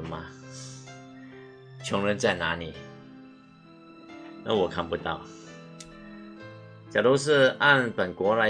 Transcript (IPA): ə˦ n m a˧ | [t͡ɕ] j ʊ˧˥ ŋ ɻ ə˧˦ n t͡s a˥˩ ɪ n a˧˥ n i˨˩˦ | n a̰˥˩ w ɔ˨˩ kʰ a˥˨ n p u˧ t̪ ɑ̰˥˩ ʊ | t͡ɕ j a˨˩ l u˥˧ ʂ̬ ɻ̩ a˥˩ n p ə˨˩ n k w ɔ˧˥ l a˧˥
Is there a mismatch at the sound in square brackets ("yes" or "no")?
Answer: yes